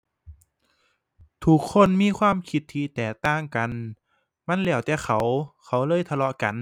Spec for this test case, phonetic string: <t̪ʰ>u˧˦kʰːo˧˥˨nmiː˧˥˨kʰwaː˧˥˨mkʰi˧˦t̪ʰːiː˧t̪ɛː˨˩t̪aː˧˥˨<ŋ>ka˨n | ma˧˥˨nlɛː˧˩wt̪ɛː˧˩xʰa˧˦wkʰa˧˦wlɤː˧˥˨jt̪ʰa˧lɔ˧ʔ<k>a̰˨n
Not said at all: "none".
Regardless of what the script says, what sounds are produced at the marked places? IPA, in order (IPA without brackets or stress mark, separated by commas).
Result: t̪ʰ, ŋ, k